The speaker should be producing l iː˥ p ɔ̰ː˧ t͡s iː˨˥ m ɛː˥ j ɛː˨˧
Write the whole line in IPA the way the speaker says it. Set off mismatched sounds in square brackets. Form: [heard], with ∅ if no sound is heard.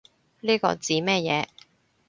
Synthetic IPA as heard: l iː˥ [k] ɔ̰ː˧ t͡s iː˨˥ m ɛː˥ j ɛː˨˧